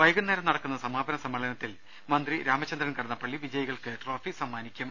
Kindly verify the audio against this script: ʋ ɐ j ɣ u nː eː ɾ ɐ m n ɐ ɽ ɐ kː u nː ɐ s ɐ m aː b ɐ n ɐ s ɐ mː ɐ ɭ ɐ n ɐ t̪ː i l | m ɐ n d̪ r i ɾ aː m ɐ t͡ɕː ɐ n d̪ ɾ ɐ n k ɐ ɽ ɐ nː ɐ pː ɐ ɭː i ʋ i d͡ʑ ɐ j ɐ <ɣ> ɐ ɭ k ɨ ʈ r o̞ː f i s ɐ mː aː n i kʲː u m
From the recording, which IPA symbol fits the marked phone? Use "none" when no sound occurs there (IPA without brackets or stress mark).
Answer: ɣ